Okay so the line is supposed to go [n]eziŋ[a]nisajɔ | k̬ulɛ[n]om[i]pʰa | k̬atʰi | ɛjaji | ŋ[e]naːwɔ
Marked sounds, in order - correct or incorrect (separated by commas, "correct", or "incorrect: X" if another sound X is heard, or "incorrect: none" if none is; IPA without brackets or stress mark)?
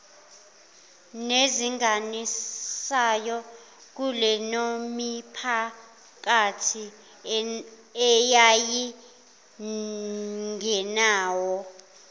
correct, correct, correct, correct, incorrect: ɛ